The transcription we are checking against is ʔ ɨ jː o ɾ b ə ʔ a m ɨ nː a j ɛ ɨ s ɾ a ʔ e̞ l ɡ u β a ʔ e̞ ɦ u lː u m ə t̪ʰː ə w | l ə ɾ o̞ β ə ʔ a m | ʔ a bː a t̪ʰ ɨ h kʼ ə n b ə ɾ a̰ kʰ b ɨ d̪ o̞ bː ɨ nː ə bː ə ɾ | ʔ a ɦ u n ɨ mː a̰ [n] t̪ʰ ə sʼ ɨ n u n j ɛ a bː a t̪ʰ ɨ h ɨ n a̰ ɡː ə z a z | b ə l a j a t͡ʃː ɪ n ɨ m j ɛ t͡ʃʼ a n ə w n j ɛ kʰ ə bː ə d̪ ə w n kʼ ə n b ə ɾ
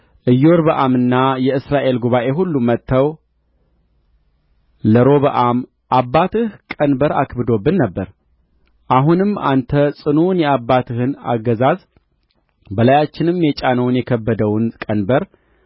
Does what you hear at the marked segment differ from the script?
no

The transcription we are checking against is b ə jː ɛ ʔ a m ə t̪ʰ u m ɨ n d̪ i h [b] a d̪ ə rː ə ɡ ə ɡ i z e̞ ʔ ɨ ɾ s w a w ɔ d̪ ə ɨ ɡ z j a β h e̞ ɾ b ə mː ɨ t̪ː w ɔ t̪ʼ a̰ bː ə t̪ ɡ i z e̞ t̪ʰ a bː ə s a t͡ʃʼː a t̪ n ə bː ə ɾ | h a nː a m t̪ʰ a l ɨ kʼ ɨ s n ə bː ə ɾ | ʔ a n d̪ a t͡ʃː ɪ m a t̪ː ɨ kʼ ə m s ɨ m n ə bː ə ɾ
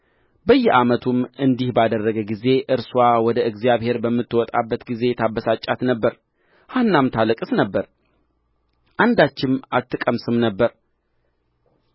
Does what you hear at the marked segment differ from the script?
no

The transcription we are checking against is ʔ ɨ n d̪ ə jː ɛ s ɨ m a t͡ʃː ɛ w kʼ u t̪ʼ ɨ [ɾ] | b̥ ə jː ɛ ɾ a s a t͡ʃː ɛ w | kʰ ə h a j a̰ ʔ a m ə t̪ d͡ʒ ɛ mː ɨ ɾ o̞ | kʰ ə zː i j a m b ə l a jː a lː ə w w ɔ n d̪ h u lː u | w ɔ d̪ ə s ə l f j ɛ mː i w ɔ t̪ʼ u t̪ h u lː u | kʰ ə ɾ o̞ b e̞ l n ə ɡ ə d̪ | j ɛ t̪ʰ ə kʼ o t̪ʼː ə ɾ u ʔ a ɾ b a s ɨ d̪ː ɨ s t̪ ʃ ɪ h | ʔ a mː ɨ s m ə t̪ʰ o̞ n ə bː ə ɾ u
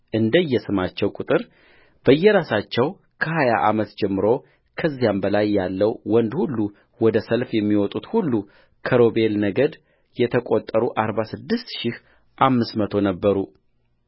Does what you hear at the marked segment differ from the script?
no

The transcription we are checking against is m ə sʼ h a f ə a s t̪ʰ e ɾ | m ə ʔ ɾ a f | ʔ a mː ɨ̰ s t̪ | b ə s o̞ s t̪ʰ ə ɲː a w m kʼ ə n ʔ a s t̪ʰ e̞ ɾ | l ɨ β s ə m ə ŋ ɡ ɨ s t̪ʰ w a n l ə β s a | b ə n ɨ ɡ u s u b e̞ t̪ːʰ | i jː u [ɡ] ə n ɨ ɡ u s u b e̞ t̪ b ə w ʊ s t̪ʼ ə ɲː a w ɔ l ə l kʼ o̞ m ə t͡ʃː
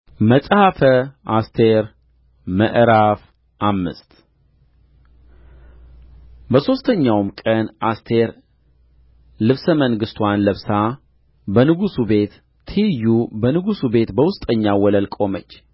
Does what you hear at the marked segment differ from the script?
yes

